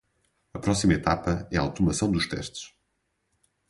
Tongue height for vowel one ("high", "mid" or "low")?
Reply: low